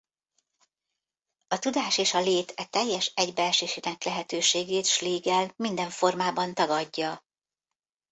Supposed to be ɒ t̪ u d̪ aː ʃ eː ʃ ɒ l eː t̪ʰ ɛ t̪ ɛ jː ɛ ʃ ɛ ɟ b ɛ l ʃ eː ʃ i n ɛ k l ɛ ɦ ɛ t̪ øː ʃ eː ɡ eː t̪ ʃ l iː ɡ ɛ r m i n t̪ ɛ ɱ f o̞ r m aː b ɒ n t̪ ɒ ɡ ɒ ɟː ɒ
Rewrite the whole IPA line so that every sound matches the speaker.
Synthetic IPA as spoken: ɒ t̪ u d̪ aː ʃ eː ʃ ɒ l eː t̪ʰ ɛ t̪ ɛ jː ɛ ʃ ɛ ɟ b ɛ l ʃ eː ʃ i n ɛ k l ɛ ɦ ɛ t̪ øː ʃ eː ɡ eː t̪ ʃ l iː ɡ ɛ l m i n d̪ ɛ ɱ f o̞ r m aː b ɒ n t̪ ɒ ɡ ɒ ɟː ɒ